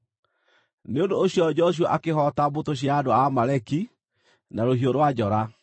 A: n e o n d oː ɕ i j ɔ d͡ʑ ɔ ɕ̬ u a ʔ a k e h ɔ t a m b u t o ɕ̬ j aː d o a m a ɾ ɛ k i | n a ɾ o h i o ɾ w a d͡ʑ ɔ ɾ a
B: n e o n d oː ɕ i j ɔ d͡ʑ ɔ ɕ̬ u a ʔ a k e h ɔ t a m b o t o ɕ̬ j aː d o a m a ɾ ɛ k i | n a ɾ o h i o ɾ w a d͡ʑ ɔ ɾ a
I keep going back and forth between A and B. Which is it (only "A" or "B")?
B